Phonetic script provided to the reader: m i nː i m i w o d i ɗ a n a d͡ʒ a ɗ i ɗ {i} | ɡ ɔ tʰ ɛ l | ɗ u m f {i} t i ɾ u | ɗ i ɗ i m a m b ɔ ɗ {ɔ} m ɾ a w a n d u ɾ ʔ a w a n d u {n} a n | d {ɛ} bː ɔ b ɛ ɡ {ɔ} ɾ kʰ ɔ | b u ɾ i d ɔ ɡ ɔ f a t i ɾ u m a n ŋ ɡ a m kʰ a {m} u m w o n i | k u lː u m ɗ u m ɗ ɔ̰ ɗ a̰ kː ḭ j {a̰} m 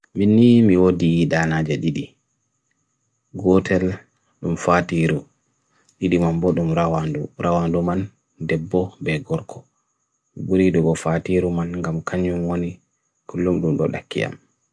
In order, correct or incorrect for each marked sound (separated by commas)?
correct, incorrect, incorrect, incorrect, correct, correct, incorrect, correct